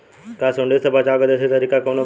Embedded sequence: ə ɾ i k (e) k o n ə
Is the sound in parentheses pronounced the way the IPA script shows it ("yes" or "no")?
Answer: no